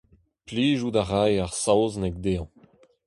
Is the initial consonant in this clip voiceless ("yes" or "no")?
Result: yes